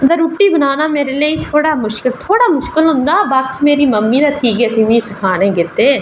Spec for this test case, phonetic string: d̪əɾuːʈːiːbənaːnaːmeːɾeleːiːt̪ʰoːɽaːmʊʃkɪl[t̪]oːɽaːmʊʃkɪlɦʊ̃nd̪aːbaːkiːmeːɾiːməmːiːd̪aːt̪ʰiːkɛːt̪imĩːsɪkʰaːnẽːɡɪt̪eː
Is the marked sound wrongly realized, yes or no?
yes